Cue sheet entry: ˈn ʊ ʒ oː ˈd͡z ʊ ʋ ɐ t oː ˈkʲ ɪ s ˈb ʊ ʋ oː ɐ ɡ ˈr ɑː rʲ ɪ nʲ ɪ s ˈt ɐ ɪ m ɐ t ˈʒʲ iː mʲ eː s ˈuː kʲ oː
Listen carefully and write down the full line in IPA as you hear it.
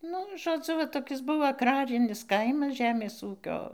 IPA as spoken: ˈn ʊ ʒ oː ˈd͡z ʊ ʋ ɐ t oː ˈkʲ ɪ s ˈb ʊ ʋ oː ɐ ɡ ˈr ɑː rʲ ɪ nʲ ɪ s ˈk ɐ ɪ m ɐ s ˈʒʲ æː mʲ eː s ˈuː kʲ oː